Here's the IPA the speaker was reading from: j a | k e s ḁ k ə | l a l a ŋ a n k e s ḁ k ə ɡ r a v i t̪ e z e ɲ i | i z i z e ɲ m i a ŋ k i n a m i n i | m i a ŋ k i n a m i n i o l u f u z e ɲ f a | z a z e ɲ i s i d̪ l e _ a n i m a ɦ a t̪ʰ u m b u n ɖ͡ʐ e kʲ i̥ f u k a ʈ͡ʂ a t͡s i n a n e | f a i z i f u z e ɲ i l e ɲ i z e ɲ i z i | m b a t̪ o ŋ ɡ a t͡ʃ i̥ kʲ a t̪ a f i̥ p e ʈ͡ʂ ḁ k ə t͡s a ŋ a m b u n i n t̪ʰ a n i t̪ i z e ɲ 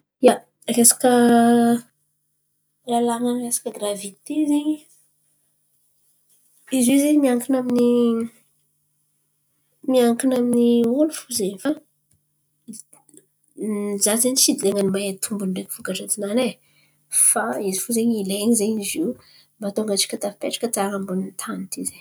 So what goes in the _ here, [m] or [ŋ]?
ŋ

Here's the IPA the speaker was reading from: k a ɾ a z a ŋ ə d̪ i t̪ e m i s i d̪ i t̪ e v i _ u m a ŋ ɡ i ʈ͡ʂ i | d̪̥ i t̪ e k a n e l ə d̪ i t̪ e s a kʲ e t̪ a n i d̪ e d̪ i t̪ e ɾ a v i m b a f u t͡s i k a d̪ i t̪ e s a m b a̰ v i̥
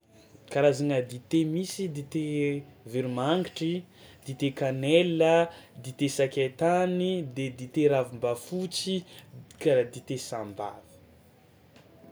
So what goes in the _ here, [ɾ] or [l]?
ɾ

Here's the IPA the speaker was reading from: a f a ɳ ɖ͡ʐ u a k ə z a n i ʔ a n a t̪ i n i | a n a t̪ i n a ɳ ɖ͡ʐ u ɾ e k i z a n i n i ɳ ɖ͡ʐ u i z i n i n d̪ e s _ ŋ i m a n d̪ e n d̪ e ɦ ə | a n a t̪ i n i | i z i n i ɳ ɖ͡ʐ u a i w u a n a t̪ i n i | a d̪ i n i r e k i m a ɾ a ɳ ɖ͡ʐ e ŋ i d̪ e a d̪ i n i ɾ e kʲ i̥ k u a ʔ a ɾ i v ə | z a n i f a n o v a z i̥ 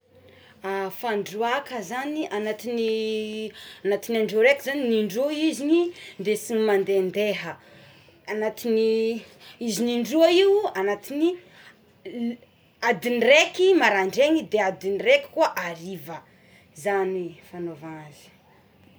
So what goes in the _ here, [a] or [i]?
i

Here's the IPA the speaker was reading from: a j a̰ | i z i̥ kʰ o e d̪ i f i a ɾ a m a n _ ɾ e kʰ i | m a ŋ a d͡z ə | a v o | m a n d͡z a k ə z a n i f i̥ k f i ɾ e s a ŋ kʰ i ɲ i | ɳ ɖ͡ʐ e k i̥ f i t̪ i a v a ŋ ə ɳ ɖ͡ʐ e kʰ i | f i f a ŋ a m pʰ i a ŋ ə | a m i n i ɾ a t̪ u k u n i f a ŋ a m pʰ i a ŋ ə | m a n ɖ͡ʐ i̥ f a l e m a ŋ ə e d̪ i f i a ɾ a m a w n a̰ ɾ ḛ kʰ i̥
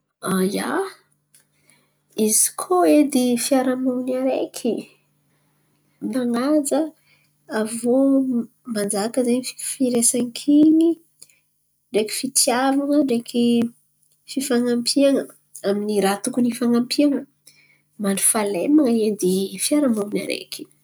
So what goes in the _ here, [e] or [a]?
a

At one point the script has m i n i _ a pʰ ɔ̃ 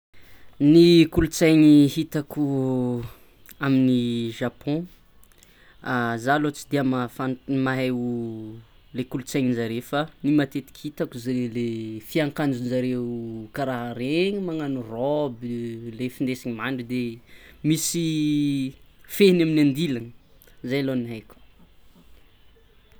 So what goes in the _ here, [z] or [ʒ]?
ʒ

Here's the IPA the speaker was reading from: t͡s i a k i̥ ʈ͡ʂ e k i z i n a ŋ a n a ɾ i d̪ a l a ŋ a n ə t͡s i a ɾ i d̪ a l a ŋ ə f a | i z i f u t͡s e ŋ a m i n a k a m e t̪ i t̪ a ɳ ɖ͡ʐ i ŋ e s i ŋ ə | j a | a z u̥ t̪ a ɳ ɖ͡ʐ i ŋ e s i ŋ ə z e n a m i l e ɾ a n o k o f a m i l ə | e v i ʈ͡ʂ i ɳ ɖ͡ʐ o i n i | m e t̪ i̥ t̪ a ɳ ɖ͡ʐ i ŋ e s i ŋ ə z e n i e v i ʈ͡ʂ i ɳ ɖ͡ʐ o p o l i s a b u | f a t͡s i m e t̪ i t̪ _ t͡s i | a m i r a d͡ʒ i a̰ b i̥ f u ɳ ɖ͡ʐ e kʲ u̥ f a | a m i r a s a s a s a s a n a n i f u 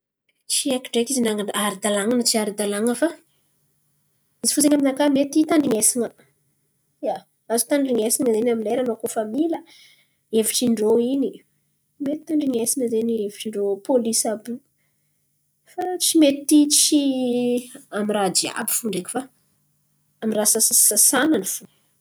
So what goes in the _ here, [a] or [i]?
i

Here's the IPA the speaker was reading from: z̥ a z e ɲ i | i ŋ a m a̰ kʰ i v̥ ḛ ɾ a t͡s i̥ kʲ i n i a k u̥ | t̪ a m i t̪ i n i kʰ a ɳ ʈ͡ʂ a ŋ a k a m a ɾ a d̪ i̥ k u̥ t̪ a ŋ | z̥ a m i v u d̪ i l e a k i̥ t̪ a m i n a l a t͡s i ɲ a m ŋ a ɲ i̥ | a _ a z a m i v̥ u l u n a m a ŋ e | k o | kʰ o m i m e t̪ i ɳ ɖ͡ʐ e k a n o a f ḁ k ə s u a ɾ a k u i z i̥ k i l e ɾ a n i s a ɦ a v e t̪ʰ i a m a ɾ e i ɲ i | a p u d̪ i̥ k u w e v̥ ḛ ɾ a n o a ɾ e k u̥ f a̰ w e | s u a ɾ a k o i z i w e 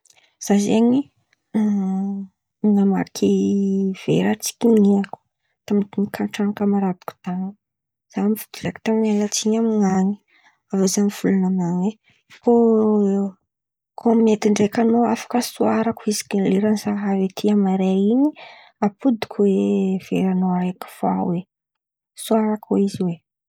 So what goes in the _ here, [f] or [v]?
v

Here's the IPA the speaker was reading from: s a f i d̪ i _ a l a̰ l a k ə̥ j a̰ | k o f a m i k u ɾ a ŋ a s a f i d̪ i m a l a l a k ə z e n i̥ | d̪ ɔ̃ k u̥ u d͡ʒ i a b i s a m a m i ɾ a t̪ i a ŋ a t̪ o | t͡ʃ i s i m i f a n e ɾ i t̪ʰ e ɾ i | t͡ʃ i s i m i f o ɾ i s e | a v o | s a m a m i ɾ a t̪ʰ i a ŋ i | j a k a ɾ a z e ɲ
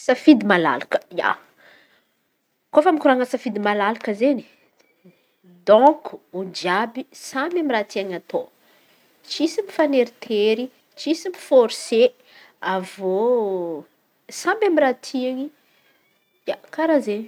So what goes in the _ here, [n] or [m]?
m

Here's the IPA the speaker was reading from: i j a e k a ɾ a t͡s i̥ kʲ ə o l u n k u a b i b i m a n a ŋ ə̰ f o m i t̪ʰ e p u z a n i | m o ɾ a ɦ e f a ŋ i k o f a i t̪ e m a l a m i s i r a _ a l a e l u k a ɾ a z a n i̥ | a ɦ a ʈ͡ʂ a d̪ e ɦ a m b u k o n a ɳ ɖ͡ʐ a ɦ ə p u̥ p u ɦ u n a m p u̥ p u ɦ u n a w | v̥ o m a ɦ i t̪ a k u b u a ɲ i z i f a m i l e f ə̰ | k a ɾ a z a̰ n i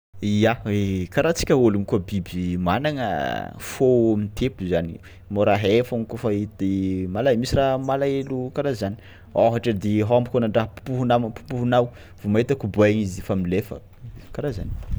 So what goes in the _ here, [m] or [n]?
m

